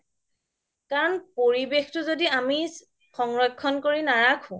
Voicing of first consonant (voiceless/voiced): voiceless